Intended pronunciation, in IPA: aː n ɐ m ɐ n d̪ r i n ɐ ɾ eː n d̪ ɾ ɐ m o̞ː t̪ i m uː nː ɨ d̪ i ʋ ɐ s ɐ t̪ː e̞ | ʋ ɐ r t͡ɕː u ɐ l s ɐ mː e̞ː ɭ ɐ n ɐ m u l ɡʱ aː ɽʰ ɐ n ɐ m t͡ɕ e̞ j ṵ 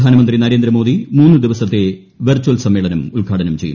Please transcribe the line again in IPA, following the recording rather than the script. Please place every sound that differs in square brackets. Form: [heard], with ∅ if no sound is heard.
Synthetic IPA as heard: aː n ɐ m ɐ n d̪ r i n ɐ ɾ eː n d̪ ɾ ɐ m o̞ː [d̪] i m uː nː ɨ d̪ i ʋ ɐ s ɐ t̪ː e̞ | ʋ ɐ r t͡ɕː u ɐ l s ɐ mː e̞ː ɭ ɐ n ɐ m u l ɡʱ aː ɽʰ ɐ n ɐ m t͡ɕ e̞ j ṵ